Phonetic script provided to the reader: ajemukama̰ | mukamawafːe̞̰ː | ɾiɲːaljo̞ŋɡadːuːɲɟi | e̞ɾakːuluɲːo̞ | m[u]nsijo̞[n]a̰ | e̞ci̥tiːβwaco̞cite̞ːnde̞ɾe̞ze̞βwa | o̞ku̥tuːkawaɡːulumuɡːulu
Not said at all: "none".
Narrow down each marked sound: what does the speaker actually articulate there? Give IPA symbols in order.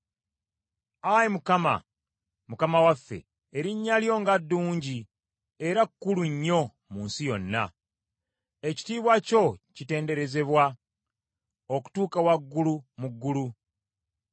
uː, nː

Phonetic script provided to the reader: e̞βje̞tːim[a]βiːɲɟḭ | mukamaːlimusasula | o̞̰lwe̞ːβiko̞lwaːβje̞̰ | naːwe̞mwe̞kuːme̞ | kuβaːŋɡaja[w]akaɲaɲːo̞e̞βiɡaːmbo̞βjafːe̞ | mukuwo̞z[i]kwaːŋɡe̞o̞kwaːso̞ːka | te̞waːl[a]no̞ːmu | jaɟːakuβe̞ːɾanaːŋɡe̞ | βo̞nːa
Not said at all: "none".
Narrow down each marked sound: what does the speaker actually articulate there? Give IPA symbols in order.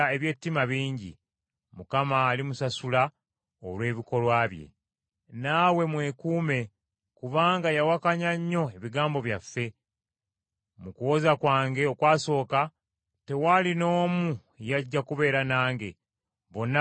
a, w, a, i

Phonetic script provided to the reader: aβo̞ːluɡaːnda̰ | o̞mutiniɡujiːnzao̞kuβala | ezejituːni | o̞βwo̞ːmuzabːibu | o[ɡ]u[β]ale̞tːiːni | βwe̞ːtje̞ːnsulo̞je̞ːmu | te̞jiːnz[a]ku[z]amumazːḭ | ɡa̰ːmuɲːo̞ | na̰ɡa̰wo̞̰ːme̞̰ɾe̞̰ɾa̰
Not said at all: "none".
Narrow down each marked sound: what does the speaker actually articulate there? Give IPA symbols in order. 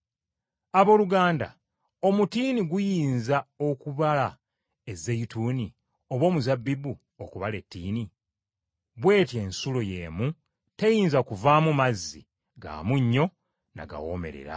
k, β, a, v

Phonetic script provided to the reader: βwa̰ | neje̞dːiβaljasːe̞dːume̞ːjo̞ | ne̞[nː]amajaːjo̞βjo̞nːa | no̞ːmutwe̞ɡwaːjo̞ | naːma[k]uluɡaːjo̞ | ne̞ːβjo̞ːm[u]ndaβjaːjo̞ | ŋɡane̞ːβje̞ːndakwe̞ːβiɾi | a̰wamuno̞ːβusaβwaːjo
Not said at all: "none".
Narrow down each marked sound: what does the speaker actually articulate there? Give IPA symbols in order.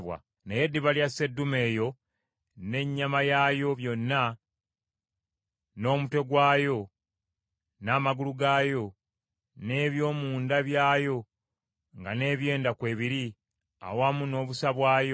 ɲː, ɡ, uː

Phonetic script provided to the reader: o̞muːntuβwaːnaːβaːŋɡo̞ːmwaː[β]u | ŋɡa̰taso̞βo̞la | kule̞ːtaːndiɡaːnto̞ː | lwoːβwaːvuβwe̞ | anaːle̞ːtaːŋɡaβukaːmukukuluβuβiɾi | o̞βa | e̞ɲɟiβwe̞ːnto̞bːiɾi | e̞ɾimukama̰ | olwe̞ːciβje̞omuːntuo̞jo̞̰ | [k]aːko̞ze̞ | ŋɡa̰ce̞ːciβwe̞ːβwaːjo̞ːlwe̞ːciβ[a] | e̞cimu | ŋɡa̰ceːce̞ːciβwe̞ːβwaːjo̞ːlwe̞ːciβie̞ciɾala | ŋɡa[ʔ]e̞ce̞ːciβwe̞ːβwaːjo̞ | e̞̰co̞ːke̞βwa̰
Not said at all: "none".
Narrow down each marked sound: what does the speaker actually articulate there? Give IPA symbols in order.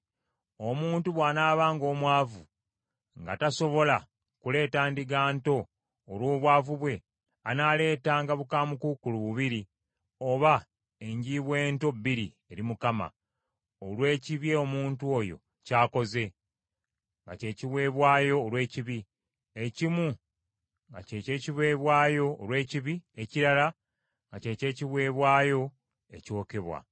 v, c, i, c

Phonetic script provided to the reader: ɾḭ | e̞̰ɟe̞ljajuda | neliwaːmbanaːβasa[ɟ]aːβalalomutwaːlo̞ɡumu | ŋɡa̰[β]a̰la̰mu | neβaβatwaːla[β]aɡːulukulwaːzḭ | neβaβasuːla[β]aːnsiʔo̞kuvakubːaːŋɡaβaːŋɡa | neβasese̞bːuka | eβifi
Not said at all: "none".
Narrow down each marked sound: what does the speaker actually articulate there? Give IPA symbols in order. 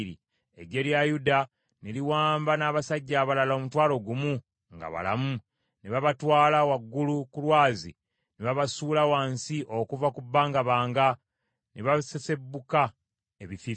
ɟː, β, w, w

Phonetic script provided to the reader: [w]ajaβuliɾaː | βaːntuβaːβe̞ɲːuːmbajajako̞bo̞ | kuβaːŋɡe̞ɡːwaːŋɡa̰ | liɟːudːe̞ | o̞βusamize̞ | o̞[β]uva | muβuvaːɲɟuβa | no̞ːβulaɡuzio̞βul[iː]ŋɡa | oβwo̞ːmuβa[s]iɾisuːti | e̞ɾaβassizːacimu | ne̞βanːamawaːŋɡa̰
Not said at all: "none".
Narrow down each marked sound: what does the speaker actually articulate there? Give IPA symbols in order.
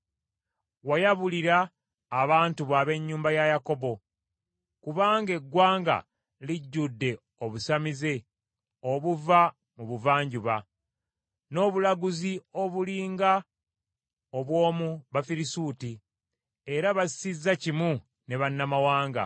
w, β, iː, f

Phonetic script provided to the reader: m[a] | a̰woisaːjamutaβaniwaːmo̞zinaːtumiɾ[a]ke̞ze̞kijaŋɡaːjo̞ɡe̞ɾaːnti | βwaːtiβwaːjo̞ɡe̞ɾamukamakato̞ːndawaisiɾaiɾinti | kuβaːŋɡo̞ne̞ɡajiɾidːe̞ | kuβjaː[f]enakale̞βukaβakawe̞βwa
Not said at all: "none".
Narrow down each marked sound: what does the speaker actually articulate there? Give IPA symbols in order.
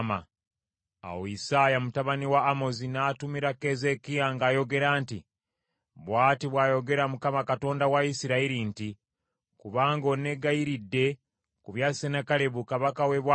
a, a, s

